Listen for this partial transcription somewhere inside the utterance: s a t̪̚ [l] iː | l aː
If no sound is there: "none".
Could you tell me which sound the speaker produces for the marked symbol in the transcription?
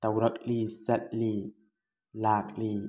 l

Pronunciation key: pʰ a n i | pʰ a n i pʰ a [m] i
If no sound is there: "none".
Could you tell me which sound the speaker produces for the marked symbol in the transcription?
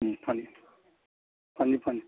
n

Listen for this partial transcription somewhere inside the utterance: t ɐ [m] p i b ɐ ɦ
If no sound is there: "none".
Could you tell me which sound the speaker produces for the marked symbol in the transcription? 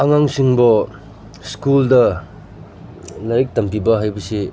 m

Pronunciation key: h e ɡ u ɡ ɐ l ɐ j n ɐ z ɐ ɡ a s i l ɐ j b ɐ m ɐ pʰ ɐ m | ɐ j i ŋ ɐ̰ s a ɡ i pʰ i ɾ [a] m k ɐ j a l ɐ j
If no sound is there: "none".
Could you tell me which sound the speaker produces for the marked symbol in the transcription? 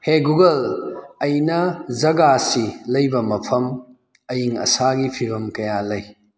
ɐ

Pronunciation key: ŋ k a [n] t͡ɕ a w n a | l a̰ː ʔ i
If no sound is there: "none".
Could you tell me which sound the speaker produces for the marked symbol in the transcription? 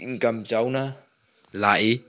m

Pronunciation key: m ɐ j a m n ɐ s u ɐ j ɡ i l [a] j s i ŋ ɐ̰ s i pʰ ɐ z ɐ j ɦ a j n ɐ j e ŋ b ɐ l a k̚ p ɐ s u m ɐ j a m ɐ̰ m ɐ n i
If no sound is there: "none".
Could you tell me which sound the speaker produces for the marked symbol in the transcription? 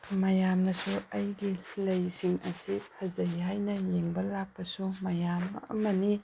ɐ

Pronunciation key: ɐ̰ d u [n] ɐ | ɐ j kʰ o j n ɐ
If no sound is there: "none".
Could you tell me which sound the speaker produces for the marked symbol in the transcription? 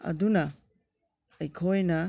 n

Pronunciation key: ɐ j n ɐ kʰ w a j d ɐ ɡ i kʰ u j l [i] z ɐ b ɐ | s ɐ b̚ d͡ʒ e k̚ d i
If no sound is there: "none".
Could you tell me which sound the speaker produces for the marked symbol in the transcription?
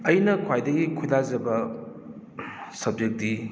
a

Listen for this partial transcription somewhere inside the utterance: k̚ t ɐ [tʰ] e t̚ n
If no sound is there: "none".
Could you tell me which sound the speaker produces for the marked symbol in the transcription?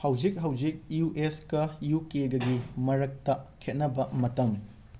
kʰ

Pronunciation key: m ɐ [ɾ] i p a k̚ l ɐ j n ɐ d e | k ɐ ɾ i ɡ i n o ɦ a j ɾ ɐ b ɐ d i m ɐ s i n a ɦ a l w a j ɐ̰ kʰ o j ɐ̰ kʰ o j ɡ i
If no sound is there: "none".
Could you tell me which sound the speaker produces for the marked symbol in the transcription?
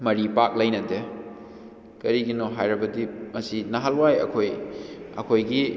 ɾ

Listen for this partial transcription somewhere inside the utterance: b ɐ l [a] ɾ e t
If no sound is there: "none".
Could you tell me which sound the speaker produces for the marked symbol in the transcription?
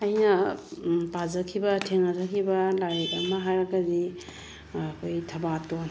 a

